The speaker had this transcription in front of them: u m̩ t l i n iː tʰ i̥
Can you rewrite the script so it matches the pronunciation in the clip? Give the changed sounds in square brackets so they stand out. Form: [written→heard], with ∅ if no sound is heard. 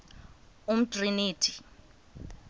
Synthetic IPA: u m̩ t [l→r] i n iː tʰ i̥